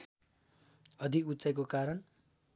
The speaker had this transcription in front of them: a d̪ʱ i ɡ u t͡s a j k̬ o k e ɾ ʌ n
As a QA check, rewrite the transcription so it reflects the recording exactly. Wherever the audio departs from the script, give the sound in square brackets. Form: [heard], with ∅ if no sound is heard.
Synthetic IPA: [ʌ] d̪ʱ i [k] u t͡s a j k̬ o k [a] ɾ ʌ n